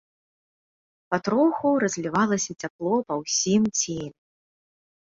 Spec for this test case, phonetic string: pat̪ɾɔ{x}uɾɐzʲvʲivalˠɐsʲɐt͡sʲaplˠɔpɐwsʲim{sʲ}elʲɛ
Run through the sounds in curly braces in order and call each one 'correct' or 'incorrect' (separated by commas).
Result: correct, incorrect